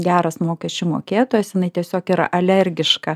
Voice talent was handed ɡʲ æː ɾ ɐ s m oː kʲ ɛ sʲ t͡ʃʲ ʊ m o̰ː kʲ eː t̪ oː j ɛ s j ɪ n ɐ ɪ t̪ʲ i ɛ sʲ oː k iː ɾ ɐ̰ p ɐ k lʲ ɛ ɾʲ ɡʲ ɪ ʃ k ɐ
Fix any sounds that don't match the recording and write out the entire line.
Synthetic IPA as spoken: ɡʲ æː ɾ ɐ s m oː kʲ ɛ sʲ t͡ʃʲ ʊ m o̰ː kʲ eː t̪ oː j ɛ s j ɪ n ɐ ɪ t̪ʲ i ɛ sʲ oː k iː ɾ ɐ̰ ʔ ɐ lʲ ɛ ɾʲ ɡʲ ɪ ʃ k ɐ